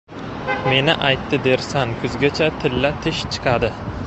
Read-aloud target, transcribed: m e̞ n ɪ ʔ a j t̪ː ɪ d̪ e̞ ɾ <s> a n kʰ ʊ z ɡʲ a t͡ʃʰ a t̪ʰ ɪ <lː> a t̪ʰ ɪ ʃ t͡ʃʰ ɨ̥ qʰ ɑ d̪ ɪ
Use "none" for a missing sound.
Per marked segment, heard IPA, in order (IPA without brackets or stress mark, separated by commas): s, lː